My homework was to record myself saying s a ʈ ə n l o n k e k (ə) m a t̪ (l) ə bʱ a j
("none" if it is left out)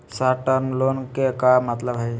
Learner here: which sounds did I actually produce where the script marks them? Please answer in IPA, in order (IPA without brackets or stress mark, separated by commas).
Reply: a, l